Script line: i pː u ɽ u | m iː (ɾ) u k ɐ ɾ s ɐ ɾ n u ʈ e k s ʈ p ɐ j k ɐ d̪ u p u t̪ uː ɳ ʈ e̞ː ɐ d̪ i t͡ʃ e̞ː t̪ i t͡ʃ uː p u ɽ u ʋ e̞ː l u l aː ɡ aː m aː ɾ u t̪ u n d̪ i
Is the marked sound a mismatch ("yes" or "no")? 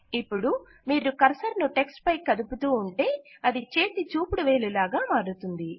no